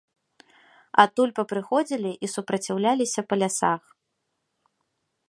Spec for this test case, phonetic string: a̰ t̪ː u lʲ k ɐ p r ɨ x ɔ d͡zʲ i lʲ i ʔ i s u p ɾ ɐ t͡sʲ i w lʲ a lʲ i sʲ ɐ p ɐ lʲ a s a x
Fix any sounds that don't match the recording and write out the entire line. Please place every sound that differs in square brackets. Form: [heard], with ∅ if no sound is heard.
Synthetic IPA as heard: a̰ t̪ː u lʲ [p] ɐ p [ɾ] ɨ x ɔ d͡zʲ i lʲ i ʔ i s u p ɾ ɐ t͡sʲ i w lʲ a lʲ i sʲ ɐ p ɐ lʲ a s a x